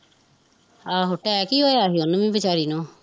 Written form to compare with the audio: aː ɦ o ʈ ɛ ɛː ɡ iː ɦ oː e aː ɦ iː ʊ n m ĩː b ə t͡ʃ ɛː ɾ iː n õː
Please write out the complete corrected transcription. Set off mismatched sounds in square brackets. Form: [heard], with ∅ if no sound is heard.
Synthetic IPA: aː ɦ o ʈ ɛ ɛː [k] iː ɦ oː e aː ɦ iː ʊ n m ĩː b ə t͡ʃ [aː] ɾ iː n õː